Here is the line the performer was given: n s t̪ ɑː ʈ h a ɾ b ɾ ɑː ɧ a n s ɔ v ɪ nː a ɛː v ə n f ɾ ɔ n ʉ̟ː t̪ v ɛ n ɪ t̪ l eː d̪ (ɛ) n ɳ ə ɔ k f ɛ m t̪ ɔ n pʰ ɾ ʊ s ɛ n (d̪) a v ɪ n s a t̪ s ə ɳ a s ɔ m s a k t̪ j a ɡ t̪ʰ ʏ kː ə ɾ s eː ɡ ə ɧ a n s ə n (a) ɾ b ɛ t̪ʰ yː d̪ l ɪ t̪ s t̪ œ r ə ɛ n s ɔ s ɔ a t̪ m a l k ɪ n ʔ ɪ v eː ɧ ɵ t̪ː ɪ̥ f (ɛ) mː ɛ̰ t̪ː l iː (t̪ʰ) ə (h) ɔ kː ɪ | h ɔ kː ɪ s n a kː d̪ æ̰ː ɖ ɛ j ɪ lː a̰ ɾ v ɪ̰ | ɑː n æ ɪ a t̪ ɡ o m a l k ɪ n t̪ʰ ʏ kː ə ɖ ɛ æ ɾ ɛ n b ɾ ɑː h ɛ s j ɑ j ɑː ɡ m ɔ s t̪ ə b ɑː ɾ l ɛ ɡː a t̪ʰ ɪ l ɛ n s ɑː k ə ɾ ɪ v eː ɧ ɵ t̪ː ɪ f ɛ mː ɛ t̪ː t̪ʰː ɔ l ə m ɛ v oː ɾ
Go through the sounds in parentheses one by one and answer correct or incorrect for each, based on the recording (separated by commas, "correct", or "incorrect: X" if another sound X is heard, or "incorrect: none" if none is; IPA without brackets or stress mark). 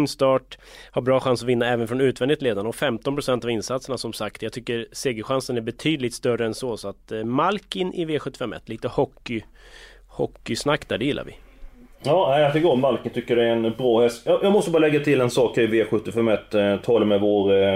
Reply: incorrect: a, incorrect: t̪, incorrect: æ, correct, incorrect: t̪, correct